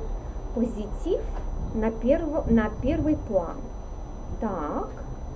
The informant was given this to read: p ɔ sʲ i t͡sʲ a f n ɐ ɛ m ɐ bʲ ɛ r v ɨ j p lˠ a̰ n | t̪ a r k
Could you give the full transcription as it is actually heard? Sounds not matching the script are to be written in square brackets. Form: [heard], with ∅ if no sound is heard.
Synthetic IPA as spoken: p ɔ [zʲ] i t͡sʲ [i] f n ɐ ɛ [n] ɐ [pʲ] ɛ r v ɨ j p lˠ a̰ n | t̪ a [∅] k